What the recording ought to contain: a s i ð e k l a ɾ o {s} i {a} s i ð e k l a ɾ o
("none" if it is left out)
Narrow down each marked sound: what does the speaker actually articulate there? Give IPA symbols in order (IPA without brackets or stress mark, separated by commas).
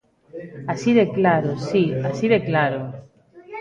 s, a